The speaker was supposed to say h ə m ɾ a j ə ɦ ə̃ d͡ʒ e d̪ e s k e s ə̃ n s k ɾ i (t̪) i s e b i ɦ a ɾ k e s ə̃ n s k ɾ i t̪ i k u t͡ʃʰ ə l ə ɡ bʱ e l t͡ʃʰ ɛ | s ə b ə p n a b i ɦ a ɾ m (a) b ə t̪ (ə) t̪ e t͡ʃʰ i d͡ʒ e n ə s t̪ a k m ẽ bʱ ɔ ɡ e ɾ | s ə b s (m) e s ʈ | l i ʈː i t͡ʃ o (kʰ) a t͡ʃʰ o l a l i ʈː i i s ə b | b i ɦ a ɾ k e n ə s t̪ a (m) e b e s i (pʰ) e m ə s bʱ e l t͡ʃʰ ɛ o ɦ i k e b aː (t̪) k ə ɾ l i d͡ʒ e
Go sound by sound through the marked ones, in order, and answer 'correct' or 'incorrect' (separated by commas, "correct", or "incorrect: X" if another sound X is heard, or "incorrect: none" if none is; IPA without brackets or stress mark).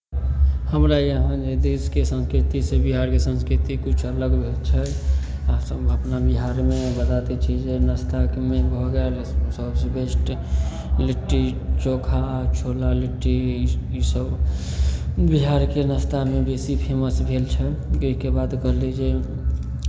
correct, incorrect: e, incorrect: a, incorrect: b, correct, correct, correct, incorrect: d̪